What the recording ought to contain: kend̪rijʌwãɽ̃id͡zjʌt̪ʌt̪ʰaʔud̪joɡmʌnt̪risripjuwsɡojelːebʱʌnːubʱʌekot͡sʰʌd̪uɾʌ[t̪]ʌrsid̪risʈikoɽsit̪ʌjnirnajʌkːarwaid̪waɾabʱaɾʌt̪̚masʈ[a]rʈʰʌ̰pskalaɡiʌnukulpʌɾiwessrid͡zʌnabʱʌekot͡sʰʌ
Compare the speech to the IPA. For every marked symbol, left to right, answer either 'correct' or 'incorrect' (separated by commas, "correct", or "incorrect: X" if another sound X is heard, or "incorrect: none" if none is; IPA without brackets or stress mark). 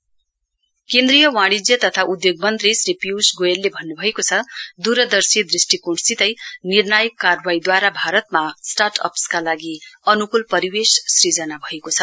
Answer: incorrect: d̪, correct